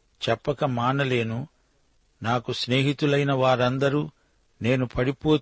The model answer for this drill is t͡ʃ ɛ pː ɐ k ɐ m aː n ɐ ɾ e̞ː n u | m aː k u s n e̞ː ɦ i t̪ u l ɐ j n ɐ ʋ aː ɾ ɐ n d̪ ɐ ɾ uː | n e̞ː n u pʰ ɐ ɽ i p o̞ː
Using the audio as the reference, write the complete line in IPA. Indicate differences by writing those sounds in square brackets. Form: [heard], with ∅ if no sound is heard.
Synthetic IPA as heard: t͡ʃ ɛ pː ɐ k ɐ m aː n ɐ [l] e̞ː n u | [n] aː k u s n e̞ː ɦ i t̪ u l ɐ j n ɐ ʋ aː ɾ ɐ n d̪ ɐ ɾ uː | n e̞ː n u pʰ ɐ ɽ i p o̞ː